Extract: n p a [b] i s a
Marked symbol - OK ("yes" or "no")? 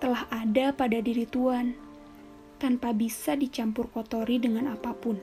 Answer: yes